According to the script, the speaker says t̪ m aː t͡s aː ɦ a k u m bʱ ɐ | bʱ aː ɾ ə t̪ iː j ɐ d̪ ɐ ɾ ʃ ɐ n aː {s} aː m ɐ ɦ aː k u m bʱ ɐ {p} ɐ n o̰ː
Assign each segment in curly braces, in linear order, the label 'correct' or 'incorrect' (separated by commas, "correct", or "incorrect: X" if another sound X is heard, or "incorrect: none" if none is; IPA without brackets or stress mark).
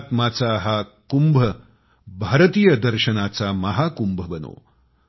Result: incorrect: t͡s, incorrect: b